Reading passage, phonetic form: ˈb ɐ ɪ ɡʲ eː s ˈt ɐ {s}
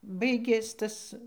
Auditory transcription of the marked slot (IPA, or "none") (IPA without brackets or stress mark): s